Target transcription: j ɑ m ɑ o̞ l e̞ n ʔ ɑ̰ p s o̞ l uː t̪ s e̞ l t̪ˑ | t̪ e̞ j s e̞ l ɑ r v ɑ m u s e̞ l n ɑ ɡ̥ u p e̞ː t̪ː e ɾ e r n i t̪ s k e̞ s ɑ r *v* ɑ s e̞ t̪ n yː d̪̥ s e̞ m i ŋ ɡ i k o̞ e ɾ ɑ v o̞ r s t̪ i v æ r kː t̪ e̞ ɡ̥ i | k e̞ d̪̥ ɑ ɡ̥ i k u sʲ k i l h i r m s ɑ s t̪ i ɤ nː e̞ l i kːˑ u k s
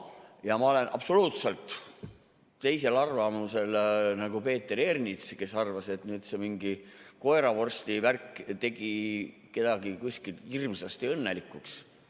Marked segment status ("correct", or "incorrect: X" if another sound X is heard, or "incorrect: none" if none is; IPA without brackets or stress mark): correct